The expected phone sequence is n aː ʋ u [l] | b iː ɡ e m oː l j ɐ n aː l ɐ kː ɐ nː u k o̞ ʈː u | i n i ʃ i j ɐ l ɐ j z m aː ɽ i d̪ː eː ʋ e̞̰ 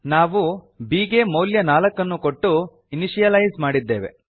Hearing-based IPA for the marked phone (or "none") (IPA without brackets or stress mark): none